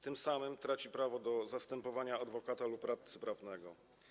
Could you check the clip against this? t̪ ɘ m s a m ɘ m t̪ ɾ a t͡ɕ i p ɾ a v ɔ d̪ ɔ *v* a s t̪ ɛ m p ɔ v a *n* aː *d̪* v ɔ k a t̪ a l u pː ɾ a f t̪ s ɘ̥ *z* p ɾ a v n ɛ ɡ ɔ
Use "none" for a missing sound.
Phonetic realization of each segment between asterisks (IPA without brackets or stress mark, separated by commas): z, ɲ, d̪, none